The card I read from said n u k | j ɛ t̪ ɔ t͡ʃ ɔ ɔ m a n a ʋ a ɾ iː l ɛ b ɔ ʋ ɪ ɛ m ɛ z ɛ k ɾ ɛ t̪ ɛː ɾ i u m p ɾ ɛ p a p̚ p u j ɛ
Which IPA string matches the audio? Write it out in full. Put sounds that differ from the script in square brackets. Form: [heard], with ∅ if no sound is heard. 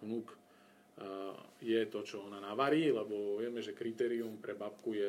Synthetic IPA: n u k | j ɛ t̪ ɔ t͡ʃ ɔ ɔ [n] a n a ʋ a ɾ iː l ɛ b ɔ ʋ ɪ ɛ m ɛ [ʒ] ɛ k ɾ [i] t̪ ɛː ɾ i u m p ɾ ɛ [b] a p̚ [k] u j ɛ